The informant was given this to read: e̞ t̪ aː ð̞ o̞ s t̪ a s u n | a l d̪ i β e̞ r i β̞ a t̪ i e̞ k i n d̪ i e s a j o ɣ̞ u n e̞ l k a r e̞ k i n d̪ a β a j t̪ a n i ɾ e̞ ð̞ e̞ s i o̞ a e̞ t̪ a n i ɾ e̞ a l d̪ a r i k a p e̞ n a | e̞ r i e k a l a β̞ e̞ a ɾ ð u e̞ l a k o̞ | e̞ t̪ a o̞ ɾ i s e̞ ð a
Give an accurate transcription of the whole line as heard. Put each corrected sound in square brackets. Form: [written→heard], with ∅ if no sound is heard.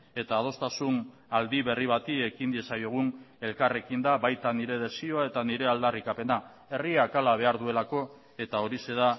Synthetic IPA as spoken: e̞ t̪ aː ð̞ o̞ s t̪ a s u n | a l d̪ i β e̞ r i β̞ a t̪ i e̞ k i n d̪ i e s a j o ɣ̞ u n e̞ l k a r e̞ k i n d̪ a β a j t̪ a n i ɾ e̞ ð̞ e̞ s i o̞ a e̞ t̪ a n i ɾ e̞ a l d̪ a r i k a p e̞ n a | e̞ r i [e→a] k a l a β̞ e̞ a ɾ ð u e̞ l a k o̞ | e̞ t̪ a o̞ ɾ i s e̞ ð a